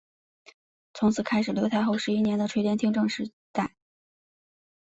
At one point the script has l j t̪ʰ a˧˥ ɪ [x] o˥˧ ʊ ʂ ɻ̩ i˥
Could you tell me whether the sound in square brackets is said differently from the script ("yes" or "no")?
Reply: no